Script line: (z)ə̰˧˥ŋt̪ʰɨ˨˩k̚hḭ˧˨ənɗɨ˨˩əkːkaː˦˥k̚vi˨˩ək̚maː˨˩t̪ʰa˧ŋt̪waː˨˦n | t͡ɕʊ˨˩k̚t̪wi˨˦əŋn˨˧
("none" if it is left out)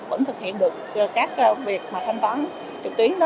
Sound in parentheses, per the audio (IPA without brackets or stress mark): v